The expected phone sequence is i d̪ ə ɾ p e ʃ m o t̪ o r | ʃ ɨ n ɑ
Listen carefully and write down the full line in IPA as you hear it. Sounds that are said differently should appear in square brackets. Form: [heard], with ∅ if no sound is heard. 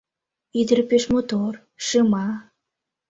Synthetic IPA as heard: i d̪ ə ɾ p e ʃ m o t̪ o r | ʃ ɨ [m] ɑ